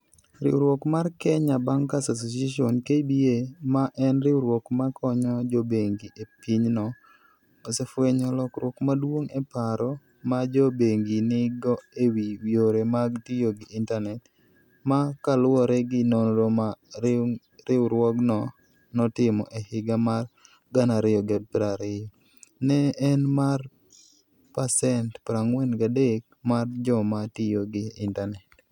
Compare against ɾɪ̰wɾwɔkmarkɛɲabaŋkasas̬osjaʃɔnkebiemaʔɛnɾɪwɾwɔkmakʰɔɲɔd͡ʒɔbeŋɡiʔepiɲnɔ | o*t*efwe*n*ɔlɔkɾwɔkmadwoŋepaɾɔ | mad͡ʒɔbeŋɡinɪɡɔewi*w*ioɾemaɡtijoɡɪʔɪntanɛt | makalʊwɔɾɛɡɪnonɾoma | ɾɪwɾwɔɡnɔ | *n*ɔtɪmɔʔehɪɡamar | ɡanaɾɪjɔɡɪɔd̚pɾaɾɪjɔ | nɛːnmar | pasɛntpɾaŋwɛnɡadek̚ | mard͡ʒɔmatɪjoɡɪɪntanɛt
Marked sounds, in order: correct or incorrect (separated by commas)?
incorrect, incorrect, correct, correct